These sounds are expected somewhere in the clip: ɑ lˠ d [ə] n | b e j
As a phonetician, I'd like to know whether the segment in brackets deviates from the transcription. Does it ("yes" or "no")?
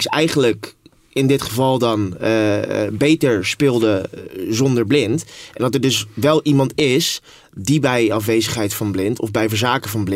yes